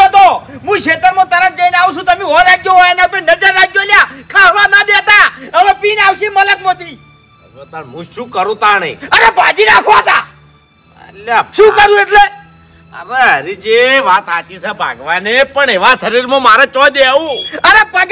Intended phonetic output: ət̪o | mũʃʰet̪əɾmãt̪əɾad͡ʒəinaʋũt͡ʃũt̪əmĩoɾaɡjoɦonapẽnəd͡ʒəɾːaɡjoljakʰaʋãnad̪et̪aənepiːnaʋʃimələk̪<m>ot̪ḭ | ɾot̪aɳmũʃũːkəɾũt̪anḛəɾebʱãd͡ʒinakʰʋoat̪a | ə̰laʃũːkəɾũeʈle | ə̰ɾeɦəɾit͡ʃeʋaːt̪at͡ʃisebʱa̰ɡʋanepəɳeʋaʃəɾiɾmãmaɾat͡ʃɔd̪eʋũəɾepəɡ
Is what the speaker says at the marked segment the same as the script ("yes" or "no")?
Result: yes